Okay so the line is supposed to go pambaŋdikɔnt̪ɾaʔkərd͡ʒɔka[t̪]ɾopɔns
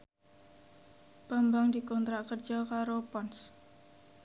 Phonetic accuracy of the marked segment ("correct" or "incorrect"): incorrect